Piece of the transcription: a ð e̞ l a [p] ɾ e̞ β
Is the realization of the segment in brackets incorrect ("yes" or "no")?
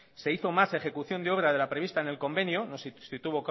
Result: no